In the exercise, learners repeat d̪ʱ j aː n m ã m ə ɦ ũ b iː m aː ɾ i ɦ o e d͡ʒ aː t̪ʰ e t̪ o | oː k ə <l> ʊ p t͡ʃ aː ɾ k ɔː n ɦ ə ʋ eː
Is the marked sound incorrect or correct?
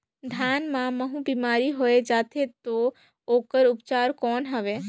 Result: incorrect